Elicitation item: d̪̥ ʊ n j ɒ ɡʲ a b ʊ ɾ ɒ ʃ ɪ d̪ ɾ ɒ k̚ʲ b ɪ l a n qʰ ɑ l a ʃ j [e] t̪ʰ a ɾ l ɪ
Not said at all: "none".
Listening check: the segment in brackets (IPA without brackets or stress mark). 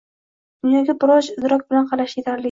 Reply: e